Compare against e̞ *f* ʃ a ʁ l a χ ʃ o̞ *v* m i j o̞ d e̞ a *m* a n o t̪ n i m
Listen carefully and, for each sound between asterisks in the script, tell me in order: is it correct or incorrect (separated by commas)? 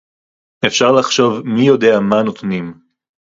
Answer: correct, correct, correct